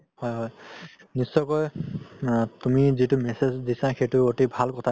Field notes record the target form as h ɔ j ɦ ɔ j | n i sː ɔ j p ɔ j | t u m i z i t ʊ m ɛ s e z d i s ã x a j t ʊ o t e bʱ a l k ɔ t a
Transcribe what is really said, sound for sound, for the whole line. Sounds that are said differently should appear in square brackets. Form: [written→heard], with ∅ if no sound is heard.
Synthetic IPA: h ɔ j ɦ ɔ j | n i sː ɔ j [p→k] ɔ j | t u m i z i t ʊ m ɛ s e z d i s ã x [a→e] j t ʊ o t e bʱ a l k ɔ [t→tʰ] a

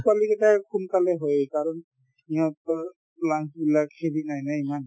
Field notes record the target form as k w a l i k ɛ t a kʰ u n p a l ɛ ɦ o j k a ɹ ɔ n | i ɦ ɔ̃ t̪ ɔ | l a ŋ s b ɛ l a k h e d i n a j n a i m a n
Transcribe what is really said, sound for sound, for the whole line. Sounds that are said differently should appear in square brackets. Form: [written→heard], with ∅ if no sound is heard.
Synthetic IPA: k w a l i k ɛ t a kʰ u n [p→k] a l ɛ ɦ o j k a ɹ ɔ n | i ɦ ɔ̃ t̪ ɔ | l a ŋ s b [ɛ→i] l a k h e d i n a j n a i m a n

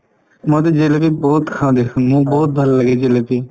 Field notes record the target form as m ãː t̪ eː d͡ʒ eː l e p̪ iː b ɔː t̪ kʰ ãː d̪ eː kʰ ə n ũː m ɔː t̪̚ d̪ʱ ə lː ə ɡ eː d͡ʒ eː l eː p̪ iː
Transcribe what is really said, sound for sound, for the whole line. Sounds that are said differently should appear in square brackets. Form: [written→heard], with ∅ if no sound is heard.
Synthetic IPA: m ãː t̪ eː d͡ʒ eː l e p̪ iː b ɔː t̪ kʰ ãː d̪ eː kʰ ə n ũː [m→b] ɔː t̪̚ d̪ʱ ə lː ə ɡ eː d͡ʒ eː l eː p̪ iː

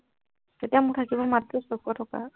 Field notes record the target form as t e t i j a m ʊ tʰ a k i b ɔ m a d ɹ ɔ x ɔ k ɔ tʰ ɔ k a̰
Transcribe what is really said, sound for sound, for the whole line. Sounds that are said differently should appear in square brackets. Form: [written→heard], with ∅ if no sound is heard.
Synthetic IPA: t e t i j a m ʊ tʰ a k i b ɔ m a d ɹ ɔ [x→s] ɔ k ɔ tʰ ɔ k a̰

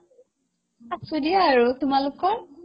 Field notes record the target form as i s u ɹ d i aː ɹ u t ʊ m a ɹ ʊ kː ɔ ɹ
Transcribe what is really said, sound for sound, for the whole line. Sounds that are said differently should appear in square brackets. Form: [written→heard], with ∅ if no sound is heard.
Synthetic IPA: [i→a] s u [ɹ→∅] d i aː ɹ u t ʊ m a [ɹ→l] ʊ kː ɔ ɹ

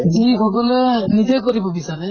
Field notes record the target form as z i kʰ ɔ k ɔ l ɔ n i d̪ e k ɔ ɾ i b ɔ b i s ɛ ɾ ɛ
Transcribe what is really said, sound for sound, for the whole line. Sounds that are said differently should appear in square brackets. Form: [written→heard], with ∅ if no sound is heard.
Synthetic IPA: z i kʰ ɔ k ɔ l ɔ n i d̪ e k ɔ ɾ i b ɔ b i s [ɛ→a] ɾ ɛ

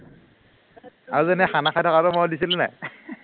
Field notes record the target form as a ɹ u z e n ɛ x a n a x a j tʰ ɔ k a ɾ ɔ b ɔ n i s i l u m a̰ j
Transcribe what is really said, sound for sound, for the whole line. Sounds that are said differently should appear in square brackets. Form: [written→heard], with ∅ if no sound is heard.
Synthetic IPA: a ɹ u z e n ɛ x a n a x a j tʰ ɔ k a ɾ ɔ [b→m] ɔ [n→d] i s i l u [m→n] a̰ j

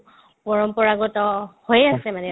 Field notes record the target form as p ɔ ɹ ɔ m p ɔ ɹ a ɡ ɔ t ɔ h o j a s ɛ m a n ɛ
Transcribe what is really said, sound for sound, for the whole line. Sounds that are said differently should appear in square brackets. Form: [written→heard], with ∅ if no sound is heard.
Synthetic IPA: p ɔ ɹ ɔ m p ɔ ɹ a ɡ ɔ t ɔ h o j a s ɛ m a n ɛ

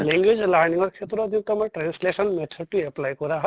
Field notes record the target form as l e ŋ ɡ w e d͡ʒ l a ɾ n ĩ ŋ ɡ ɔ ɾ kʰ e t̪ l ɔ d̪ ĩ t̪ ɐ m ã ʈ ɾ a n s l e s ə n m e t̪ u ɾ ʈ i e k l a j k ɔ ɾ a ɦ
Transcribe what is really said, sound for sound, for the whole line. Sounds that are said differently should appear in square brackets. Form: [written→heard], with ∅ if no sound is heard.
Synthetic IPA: l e ŋ ɡ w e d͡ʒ l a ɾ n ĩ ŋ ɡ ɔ ɾ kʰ e t̪ [l→ɾ] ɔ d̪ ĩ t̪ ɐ m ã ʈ ɾ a n s l e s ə n m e [t̪→t̪ʰ] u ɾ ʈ i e [k→p] l a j k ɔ ɾ a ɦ

